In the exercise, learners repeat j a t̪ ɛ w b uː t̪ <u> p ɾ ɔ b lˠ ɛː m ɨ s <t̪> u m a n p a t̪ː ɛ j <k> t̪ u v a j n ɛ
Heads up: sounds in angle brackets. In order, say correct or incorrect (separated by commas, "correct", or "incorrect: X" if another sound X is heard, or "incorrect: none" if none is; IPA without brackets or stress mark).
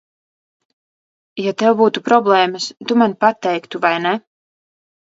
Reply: correct, correct, correct